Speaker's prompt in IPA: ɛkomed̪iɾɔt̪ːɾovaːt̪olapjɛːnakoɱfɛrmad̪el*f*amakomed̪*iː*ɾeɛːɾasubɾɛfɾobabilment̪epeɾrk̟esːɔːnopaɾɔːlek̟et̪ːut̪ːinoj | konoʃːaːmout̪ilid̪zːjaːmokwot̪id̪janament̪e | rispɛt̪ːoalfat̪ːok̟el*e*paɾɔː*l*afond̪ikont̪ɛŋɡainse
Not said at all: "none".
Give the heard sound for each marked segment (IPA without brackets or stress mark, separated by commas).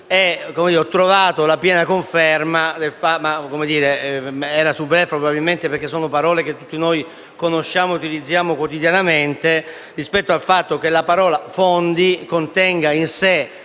f, iː, a, l